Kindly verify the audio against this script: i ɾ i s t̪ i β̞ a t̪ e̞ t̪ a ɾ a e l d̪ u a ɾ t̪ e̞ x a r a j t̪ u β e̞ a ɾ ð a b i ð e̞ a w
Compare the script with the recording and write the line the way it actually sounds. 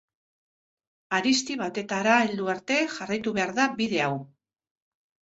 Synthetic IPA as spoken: a ɾ i s t̪ i β̞ a t̪ e̞ t̪ a ɾ a e l d̪ u a ɾ t̪ e̞ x a r a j t̪ u β e̞ a ɾ ð a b i ð e̞ a w